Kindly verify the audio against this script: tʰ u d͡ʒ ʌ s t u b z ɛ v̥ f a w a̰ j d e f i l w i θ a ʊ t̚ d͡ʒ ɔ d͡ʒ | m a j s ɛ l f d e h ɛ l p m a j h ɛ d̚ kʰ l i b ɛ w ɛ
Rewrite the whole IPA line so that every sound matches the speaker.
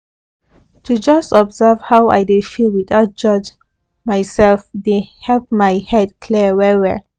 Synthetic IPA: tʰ u d͡ʒ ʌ s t ɔ b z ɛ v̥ h a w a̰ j d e f i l w i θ a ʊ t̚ d͡ʒ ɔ d͡ʒ | m a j s ɛ l f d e h ɛ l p m a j h ɛ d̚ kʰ l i w ɛ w ɛ